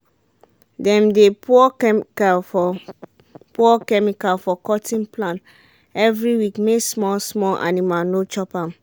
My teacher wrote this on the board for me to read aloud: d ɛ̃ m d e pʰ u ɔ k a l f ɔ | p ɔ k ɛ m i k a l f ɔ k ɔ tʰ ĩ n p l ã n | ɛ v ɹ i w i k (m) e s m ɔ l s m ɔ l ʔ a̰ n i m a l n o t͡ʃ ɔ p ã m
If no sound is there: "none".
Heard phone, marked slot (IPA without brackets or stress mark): m